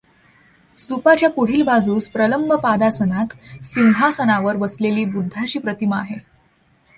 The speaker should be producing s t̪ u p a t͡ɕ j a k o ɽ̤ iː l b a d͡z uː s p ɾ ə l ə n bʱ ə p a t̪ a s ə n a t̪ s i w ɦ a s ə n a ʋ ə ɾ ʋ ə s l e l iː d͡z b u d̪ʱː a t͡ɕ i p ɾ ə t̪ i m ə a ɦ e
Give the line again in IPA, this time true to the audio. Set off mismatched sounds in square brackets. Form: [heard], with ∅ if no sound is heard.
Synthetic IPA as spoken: s t̪ u p a t͡ɕ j a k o ɽ̤ iː l b a d͡z uː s p ɾ ə l ə [m] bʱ ə p a [d̪] a s ə n a t̪ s i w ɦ a s ə n a ʋ ə ɾ ʋ ə s l e l iː [∅] b u d̪ʱː a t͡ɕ [iː] p ɾ ə t̪ i m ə a ɦ e

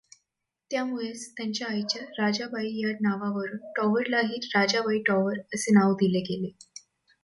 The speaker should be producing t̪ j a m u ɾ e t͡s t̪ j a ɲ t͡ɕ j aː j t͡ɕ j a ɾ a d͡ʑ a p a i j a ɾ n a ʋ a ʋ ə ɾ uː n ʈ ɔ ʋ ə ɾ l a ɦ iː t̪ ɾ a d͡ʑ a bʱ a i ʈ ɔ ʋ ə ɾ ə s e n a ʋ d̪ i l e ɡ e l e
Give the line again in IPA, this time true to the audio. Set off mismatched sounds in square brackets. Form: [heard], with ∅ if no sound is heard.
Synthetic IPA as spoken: t̪ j a m u [ɭ] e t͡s t̪ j a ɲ t͡ɕ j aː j t͡ɕ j a ɾ a d͡ʑ a [b] a i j a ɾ n a ʋ a ʋ ə ɾ uː n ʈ ɔ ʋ ə ɾ l a ɦ iː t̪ ɾ a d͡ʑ a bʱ a i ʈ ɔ ʋ ə ɾ ə s e n a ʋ d̪ i l e ɡ e l e

